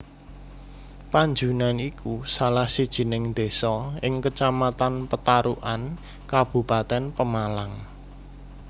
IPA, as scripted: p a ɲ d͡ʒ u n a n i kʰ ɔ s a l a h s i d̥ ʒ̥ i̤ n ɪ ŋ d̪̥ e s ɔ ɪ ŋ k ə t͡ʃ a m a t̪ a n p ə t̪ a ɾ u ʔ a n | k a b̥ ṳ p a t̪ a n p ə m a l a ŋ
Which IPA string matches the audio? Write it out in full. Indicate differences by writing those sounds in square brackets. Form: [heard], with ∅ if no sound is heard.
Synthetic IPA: p a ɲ d͡ʒ u n a n i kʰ [u] s a l a h s i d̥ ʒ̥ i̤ n ɪ ŋ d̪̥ e s ɔ ɪ ŋ k ə t͡ʃ a m a t̪ a n p ə t̪ a ɾ u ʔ a n | k a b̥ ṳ p a t̪ [ɛ] n p ə m a l a ŋ